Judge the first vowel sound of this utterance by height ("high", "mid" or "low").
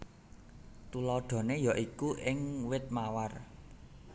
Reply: high